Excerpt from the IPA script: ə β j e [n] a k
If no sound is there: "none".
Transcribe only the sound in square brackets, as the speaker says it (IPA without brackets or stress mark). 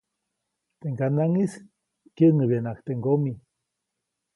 n